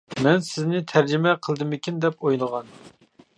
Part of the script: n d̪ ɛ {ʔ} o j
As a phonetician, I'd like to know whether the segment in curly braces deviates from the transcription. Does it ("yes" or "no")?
yes